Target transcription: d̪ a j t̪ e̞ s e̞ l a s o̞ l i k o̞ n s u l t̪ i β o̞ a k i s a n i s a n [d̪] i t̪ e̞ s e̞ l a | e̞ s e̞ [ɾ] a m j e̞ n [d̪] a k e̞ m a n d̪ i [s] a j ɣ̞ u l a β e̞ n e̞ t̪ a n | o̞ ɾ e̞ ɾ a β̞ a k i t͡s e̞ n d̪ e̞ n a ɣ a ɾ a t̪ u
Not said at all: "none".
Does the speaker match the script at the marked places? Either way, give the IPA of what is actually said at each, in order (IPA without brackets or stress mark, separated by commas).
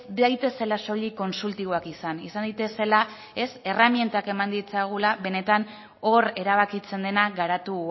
d̪, r, t̪, t͡s